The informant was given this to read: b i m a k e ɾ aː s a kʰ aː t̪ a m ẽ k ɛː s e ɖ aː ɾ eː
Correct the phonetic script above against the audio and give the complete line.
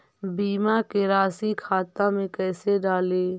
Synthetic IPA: b iː m a k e ɾ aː s i kʰ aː t̪ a m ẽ k ɛː s e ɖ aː l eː